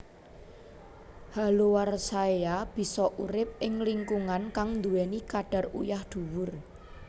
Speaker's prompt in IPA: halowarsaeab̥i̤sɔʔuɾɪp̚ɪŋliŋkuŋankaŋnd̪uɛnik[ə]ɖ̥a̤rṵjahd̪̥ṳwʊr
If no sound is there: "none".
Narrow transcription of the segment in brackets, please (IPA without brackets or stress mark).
a